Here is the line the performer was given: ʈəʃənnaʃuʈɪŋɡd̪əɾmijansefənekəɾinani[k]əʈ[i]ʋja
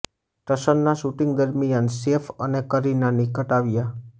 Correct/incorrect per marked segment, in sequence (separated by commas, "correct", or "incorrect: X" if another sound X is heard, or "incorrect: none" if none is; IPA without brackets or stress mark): correct, incorrect: a